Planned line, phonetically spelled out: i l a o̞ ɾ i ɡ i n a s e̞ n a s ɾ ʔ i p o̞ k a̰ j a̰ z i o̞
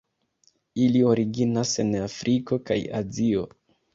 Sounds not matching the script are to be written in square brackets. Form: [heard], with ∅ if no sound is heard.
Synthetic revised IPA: i l [i] o̞ ɾ i ɡ i n a s e̞ n a [f] ɾ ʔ i [k] o̞ k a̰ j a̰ z i o̞